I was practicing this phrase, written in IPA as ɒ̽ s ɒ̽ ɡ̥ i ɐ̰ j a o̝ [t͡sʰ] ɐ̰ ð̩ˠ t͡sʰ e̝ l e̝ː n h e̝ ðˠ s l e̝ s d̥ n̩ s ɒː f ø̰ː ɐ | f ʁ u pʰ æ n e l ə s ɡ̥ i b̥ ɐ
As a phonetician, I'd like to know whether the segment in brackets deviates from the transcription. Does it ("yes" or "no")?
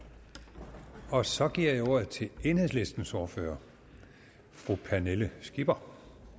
yes